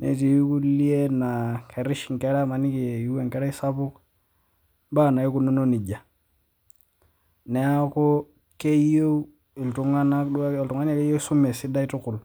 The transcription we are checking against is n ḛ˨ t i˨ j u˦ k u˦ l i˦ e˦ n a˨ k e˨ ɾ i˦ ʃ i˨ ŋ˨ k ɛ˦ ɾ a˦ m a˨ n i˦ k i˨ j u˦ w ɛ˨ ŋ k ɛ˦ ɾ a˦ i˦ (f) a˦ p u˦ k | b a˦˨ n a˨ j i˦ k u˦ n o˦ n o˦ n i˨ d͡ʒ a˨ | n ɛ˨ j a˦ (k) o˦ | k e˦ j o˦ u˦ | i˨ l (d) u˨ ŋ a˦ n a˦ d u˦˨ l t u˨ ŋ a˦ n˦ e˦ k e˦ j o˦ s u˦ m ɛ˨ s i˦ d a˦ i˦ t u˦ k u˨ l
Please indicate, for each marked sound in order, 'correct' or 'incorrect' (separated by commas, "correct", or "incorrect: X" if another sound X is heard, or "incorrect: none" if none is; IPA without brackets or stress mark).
incorrect: s, correct, incorrect: t